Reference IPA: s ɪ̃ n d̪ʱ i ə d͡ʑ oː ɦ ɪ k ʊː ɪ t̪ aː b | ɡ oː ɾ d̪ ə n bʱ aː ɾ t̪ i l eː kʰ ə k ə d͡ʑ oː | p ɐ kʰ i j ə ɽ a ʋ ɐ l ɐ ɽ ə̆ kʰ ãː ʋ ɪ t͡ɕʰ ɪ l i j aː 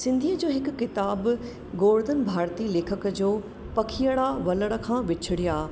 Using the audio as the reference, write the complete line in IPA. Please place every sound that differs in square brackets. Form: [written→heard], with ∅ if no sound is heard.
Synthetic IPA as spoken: s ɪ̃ n d̪ʱ i ə d͡ʑ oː ɦ ɪ k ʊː ɪ t̪ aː b | ɡ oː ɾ d̪ ə n bʱ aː ɾ t̪ i l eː kʰ ə k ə d͡ʑ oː | p ɐ kʰ i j ə ɽ a ʋ ɐ l [ɐ→ə] ɽ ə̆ kʰ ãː ʋ ɪ t͡ɕʰ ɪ [l→ɽ] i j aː